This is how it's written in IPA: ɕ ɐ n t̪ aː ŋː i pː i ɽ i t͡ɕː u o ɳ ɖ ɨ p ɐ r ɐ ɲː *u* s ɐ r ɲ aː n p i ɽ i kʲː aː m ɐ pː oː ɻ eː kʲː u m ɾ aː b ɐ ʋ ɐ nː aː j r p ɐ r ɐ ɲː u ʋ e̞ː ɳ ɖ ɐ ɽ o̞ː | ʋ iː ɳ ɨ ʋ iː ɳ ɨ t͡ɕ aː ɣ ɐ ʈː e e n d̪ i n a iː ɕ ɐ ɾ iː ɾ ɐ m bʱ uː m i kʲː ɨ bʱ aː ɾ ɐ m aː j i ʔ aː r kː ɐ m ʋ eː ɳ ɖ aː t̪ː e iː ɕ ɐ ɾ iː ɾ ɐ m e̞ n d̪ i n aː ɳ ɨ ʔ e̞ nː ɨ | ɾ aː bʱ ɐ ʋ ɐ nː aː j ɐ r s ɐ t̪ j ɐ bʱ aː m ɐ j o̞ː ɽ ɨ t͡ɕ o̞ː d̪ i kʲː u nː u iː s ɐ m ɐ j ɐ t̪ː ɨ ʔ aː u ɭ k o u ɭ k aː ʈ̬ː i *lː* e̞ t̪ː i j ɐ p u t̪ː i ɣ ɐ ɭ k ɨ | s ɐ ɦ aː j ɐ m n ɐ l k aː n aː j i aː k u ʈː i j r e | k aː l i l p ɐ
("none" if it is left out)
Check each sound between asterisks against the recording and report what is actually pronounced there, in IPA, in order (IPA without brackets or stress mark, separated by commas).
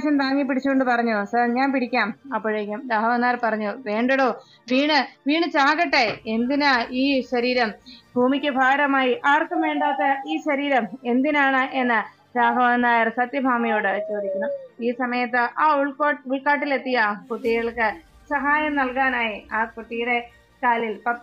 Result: u, l